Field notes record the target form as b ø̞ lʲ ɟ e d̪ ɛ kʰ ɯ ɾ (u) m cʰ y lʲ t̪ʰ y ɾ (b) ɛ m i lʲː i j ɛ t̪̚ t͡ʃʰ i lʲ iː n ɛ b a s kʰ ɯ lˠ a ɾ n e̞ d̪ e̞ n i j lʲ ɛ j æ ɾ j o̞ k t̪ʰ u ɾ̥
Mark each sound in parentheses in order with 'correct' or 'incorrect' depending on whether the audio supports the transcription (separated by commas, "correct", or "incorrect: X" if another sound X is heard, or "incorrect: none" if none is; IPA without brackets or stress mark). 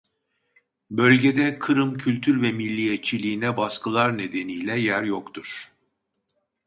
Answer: incorrect: ɯ, incorrect: v